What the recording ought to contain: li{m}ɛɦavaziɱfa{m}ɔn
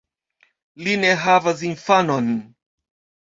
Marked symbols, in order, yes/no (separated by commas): no, no